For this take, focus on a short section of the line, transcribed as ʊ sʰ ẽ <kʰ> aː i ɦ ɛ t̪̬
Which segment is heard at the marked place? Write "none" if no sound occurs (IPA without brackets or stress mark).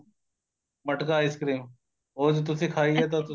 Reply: kʰ